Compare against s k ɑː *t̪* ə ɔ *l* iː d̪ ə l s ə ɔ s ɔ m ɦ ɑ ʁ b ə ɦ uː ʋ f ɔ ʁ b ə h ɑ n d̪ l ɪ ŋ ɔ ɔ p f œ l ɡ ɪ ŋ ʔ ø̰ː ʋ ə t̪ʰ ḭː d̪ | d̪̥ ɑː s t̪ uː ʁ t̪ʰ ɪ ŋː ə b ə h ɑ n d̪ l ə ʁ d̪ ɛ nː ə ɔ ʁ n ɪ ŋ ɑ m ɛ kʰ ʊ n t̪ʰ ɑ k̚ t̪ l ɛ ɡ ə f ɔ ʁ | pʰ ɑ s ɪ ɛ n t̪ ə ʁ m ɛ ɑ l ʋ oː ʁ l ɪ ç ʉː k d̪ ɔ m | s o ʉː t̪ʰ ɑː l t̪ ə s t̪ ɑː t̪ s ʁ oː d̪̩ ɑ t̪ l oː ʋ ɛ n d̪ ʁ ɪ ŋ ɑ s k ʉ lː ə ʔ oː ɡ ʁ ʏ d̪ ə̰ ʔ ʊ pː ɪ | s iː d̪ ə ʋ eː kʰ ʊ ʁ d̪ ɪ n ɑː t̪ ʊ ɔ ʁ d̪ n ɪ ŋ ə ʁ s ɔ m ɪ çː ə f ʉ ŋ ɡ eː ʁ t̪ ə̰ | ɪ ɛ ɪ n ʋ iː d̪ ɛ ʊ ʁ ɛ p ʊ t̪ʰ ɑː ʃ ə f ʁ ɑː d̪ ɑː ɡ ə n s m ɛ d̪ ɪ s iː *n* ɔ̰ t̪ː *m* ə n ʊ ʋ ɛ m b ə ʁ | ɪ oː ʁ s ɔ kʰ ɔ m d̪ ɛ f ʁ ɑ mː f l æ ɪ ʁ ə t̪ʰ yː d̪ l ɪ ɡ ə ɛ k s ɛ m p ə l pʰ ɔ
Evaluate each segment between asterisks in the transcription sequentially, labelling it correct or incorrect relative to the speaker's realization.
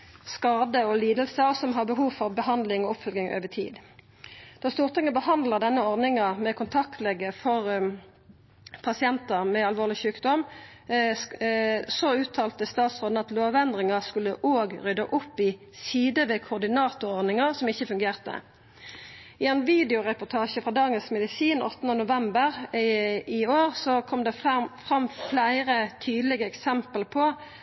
incorrect: d̪, correct, correct, incorrect: n

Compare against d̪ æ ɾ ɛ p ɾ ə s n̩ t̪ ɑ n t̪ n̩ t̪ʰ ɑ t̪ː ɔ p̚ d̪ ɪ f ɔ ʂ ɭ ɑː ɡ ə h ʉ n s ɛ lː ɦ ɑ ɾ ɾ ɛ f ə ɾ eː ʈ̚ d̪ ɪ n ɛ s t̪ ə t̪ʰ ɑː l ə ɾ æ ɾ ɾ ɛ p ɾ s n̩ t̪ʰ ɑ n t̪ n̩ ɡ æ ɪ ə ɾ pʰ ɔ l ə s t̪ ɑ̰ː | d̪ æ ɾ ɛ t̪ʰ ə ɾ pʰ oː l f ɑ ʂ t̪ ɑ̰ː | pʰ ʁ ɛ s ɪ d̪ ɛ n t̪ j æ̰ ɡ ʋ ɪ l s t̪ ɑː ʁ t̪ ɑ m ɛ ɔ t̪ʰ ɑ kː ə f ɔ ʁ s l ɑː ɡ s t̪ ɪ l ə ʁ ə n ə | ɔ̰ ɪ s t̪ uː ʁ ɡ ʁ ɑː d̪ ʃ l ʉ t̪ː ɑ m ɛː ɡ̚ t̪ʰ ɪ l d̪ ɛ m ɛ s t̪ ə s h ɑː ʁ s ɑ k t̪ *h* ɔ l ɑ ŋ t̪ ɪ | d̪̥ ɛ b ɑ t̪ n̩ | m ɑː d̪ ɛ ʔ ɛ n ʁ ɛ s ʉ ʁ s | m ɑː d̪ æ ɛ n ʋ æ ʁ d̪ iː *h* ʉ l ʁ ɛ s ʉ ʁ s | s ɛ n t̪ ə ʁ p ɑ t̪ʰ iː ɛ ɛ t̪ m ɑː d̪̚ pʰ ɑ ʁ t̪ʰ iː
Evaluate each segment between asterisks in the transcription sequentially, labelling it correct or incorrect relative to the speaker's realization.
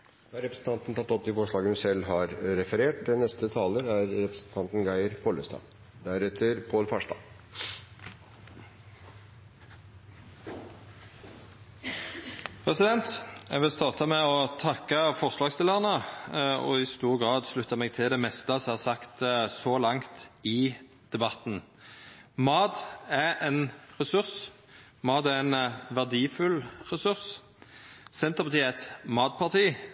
incorrect: s, incorrect: f

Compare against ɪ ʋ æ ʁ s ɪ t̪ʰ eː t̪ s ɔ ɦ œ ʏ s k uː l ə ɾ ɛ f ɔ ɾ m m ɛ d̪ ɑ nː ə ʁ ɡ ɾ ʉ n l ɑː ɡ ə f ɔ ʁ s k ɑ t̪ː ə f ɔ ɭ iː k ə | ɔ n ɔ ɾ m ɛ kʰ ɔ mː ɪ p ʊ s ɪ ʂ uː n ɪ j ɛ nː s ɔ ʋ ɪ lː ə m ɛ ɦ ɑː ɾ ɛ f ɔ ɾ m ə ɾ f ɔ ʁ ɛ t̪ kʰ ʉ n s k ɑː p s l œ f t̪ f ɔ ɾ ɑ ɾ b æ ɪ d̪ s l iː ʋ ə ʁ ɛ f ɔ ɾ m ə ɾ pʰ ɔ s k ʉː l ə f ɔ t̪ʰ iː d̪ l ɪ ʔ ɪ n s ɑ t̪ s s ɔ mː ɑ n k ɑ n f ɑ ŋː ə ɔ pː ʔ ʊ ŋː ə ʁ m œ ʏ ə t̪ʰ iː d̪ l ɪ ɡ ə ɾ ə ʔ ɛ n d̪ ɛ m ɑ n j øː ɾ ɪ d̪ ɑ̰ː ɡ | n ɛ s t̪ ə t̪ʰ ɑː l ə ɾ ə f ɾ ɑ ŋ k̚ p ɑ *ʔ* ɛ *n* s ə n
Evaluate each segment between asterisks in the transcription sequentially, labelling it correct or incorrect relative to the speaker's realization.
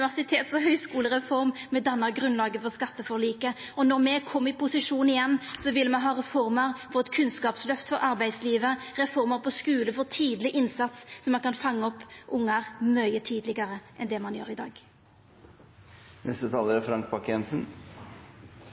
incorrect: k, correct

